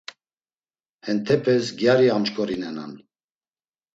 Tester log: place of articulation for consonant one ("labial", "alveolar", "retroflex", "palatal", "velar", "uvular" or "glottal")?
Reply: glottal